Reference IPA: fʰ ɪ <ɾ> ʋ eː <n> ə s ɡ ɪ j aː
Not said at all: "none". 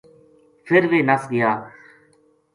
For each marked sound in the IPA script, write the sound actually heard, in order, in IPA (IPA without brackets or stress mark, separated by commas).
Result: ɾ, n